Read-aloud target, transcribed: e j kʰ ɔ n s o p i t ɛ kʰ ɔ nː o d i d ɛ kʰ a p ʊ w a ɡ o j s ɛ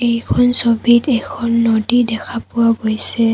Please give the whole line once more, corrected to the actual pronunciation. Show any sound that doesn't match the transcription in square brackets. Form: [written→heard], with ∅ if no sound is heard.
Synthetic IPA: e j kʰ ɔ n s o [p→b] i t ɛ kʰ ɔ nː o d i d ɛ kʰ a p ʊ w a ɡ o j s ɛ